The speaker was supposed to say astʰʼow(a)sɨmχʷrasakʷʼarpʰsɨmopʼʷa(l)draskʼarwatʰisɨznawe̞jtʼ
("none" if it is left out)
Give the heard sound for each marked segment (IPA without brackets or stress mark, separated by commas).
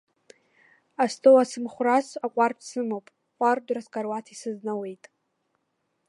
a, r